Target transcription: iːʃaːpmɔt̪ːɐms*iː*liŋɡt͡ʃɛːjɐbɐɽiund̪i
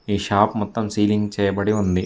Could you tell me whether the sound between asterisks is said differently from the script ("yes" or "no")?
no